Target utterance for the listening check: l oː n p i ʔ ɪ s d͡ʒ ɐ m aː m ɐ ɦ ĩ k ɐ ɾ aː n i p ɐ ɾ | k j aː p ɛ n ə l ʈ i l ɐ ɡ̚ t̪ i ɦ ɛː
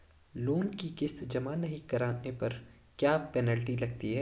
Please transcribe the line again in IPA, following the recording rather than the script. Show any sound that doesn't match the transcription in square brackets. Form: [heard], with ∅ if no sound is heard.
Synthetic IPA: l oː n [k] i [k] ɪ s d͡ʒ ɐ m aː [n] ɐ ɦ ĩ k ɐ ɾ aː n [e] p ɐ ɾ | k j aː p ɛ n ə l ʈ i l ɐ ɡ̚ t̪ i ɦ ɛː